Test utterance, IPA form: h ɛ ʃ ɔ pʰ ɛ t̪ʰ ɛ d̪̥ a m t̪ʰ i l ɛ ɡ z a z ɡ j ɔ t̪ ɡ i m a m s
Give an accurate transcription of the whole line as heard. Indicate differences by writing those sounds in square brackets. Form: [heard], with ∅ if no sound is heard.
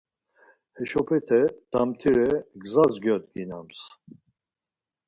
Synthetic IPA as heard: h ɛ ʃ ɔ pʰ ɛ t̪ʰ ɛ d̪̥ a m t̪ʰ i [ɾ] ɛ ɡ z a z ɡ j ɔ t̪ ɡ i [n] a m s

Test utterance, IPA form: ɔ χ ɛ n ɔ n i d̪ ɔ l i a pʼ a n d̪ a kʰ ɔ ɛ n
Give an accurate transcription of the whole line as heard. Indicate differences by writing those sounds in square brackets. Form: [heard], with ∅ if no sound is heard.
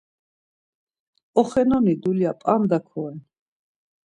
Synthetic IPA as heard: ɔ χ ɛ n ɔ n i d̪ [u] l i a pʼ a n d̪ a kʰ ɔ ɛ n

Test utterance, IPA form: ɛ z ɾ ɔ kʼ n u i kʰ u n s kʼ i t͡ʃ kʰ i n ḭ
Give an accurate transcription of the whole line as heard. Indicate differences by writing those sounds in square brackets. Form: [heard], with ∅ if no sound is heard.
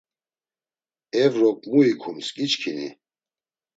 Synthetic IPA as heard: ɛ [v] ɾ ɔ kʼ [m] u i kʰ u [m] s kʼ i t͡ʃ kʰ i n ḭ

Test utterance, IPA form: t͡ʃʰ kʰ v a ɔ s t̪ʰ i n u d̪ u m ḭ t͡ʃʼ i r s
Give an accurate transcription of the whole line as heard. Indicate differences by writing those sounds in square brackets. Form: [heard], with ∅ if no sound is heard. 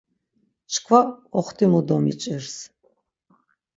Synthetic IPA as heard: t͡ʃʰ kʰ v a ɔ [χ] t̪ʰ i [m] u d̪ [ɔ] m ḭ t͡ʃʼ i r s

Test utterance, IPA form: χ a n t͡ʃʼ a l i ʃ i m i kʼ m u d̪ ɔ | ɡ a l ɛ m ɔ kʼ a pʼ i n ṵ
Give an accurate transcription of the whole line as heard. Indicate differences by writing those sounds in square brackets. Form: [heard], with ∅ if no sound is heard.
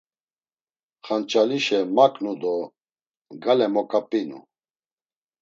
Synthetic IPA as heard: χ a n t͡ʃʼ a l i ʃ [ɛ] m [a] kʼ [n] u d̪ ɔ | ɡ a l ɛ m ɔ kʼ a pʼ i n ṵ

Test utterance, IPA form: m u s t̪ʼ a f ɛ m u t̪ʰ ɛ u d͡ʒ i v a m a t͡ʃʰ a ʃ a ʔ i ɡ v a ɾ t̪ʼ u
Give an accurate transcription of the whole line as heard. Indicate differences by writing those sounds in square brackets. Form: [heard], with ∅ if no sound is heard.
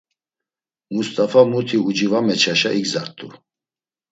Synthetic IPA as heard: m u s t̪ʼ a f [a] m u t̪ʰ [i] u d͡ʒ i v a m [ɛ] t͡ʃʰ a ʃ a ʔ i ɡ [z] a ɾ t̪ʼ u

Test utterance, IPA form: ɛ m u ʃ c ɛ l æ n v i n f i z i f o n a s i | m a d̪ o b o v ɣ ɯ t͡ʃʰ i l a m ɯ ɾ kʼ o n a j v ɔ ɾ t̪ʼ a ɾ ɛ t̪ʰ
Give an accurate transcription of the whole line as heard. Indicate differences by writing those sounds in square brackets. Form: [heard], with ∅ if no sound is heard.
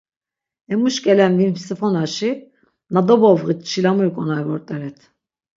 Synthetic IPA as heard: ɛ m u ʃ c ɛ l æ n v i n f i [s] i f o n a [ʃ] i | [n] a d̪ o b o v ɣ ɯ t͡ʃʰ i l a m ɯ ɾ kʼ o n a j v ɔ ɾ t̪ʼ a ɾ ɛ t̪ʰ

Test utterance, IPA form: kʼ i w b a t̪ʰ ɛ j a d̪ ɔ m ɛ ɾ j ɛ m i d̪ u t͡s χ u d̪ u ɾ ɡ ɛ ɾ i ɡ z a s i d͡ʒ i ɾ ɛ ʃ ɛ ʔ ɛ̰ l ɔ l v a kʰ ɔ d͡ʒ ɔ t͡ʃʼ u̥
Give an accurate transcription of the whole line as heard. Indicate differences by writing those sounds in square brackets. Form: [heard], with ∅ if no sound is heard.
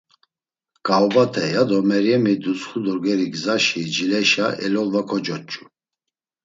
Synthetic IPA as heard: kʼ [a] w b a t̪ʰ ɛ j a d̪ ɔ m ɛ ɾ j ɛ m i d̪ u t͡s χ u d̪ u ɾ ɡ ɛ ɾ i ɡ z a [ʃ] i d͡ʒ i [l] ɛ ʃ [a] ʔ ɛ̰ l ɔ l v a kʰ ɔ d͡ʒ ɔ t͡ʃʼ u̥

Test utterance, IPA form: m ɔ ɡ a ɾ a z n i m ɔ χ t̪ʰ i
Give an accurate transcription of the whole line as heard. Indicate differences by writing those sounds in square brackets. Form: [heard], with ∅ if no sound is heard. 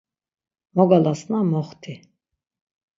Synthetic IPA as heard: m ɔ ɡ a [l] a [s] n [a] m ɔ χ t̪ʰ i

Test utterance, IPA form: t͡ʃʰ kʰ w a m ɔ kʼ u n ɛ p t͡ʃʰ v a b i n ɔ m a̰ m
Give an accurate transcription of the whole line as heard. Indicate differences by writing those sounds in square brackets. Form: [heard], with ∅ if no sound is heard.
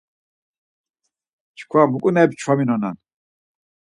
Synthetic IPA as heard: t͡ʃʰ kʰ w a m [u] kʼ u n ɛ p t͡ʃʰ [w] a [m] i n ɔ [n] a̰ [n]

